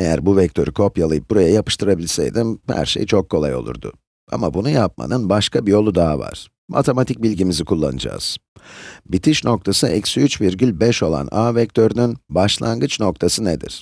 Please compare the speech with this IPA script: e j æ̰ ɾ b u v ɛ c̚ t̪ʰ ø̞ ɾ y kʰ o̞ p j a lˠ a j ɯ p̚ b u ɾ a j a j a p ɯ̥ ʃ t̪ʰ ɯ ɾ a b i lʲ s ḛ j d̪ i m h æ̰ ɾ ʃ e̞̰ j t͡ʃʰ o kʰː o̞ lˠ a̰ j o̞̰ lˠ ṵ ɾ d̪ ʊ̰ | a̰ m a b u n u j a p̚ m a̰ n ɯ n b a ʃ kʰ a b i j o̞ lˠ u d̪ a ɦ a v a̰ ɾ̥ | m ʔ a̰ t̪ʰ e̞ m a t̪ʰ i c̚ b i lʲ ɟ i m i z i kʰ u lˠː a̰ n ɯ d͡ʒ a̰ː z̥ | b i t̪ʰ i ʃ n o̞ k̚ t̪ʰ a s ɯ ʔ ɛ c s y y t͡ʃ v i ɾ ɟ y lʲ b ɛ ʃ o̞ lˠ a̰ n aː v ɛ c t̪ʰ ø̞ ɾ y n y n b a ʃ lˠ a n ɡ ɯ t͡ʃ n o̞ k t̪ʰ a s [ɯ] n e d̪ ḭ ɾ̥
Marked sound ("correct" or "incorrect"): correct